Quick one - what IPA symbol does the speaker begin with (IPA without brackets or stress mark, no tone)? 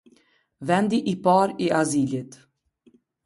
v